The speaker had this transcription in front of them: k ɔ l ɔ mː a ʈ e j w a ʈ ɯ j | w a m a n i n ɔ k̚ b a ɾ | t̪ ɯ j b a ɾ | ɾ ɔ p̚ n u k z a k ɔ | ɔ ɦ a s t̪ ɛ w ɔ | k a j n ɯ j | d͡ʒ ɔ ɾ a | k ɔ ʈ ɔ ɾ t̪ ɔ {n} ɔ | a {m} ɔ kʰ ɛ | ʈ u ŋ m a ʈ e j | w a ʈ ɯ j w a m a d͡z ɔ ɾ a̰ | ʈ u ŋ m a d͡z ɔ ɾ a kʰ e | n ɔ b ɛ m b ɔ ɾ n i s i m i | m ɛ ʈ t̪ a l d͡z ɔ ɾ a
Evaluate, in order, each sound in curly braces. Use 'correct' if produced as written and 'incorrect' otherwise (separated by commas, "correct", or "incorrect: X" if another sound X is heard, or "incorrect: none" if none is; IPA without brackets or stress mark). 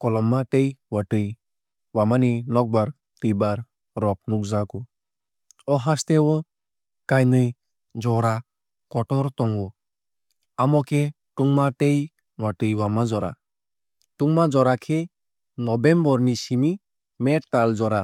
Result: incorrect: ŋ, correct